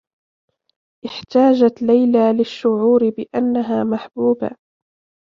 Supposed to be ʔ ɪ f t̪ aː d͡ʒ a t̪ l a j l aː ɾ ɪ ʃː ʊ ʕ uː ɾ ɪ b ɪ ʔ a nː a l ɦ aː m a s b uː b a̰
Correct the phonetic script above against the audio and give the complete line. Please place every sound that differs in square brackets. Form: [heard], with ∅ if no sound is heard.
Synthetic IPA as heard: ʔ ɪ [ħ] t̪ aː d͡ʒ a t̪ l a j l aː [l] ɪ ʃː ʊ ʕ uː ɾ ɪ b ɪ ʔ a nː a [∅] ɦ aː m a [ħ] b uː b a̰